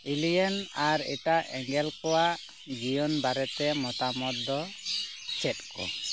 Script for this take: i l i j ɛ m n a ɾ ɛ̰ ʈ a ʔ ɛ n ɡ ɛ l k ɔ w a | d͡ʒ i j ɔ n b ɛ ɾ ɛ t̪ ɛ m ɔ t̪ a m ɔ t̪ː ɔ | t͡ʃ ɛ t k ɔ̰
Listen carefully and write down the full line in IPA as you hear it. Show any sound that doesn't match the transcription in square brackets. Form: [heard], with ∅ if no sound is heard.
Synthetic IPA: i l i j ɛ [∅] n a ɾ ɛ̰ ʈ a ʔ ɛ [ŋ] ɡ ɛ l k ɔ w a | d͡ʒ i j ɔ n b [a] ɾ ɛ t̪ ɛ m ɔ t̪ a m ɔ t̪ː ɔ | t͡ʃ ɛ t k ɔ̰